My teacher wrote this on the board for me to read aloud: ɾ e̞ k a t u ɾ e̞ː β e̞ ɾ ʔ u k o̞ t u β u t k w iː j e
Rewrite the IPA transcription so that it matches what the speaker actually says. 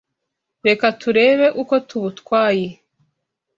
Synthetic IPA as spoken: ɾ e̞ k a t u ɾ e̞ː β e̞ ʔ u k o̞ t u β u t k w aː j e

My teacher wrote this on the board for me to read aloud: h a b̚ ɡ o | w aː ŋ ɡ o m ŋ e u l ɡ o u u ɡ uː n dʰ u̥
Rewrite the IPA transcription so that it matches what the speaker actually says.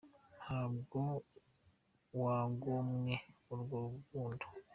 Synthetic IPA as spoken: h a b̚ ɡ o | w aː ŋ ɡ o m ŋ e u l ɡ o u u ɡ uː n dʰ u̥

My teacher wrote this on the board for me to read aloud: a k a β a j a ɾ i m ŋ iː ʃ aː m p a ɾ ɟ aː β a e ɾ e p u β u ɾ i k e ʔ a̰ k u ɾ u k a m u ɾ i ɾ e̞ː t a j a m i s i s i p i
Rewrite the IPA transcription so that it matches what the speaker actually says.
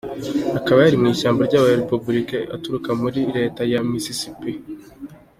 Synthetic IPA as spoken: a k a β a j a ɾ i m ŋ iː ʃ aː m b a ɾ ɟ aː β a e ɾ e p u b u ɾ i k e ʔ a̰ t u ɾ u k a m u ɾ i ɾ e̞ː t a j a m i s i s i p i

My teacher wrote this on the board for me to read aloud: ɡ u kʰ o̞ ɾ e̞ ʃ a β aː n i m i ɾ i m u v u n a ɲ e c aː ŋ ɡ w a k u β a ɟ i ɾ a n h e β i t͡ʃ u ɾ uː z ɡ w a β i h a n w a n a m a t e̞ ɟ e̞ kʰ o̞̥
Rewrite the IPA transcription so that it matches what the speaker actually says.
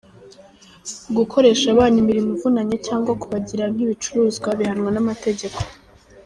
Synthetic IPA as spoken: ɡ u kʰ o̞ ɾ e̞ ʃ a β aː n i m i ɾ i m u v u n a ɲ e c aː ŋ ɡ w a k u β a ɟ i ɾ a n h i β i t͡ʃ u ɾ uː z ɡ w a β i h a n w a n a m a t e̞ ɟ e̞ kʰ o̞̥

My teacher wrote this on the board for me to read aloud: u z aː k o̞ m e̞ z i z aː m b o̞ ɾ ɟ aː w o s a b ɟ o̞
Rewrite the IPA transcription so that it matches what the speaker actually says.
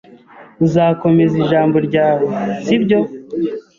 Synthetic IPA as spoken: u z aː k o̞ m e̞ z i ʒ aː m b o̞ ɾ ɟ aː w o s i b ɟ o̞

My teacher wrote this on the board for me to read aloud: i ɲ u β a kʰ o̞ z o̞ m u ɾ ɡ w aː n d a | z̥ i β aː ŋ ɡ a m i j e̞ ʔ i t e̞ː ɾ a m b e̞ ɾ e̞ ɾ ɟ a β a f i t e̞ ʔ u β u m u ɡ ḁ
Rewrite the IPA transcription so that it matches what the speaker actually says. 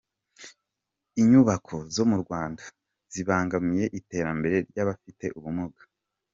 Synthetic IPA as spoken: i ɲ u β a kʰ o̞ z o̞ m u ɾ ɡ w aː n d a | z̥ i β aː ŋ ɡ a m i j e̞ ʔ i t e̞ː ɾ a m b e̞ ɾ e̞ ɾ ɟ a β a f i t e̞ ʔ u β u m u ɡ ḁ

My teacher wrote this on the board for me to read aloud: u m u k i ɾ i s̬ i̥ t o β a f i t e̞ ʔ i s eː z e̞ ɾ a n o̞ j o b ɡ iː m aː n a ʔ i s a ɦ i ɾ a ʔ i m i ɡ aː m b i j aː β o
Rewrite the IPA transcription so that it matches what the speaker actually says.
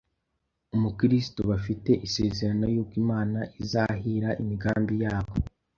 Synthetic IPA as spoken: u m u k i ɾ i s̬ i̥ t o β a f i t e̞ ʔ i s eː z e̞ ɾ a n o̞ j o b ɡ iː m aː n a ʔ i z a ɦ i ɾ a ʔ i m i ɡ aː m b i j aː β o

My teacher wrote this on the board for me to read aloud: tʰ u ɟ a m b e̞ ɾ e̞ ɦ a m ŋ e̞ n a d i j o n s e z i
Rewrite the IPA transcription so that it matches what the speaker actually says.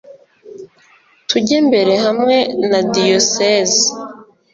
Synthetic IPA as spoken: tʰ u ɟ e m b e̞ ɾ e̞ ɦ a m ŋ e̞ n a d i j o s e z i

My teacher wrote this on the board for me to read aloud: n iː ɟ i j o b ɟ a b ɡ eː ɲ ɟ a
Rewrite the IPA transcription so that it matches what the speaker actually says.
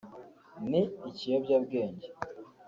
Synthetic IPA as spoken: n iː c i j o b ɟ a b ɡ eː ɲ ɟ e

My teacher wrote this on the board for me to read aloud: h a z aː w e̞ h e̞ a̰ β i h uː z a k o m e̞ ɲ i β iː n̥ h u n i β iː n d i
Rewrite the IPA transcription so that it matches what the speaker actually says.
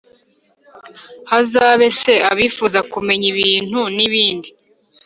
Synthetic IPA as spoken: h a z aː β e̞ s e̞ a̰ β i f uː z a k u m e̞ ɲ i β iː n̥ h u n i β iː n d i

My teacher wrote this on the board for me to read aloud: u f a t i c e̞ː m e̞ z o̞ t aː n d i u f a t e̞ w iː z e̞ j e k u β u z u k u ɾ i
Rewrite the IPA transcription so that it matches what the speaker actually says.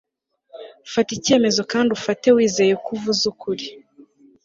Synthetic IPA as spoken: u f a t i c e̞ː m e̞ z o̞ k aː n d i u f a t e̞ w iː z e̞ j e k u v u z u k u ɾ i

